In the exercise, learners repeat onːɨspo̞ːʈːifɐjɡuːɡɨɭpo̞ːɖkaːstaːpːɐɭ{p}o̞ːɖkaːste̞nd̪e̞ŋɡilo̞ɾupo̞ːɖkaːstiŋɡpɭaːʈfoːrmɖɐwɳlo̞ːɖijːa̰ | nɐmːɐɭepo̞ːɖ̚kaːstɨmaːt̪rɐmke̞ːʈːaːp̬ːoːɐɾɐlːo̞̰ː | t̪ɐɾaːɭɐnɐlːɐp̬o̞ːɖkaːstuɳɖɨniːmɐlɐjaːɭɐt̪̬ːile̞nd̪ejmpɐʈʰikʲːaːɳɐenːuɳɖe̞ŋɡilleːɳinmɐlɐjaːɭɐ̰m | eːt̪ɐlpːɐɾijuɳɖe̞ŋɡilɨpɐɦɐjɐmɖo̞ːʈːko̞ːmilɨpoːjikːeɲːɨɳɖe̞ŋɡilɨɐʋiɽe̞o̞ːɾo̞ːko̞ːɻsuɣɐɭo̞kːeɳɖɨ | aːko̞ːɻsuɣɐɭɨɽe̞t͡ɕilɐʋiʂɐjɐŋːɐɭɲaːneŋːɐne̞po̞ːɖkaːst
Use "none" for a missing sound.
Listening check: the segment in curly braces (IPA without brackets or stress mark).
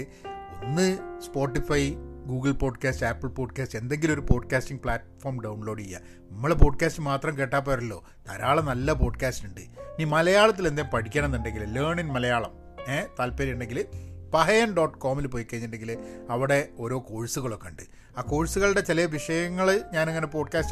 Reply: p